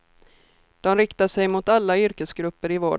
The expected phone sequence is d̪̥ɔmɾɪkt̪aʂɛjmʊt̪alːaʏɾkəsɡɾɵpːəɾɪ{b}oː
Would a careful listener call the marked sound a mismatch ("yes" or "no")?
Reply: yes